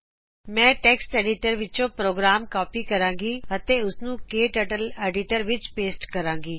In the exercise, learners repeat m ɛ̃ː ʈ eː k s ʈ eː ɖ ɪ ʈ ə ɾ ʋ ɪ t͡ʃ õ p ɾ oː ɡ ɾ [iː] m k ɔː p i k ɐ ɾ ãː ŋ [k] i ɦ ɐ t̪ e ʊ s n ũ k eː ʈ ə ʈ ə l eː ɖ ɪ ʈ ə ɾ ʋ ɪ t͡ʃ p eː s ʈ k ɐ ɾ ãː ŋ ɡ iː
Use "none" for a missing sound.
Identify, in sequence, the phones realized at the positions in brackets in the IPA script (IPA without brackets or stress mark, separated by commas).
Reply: aː, ɡ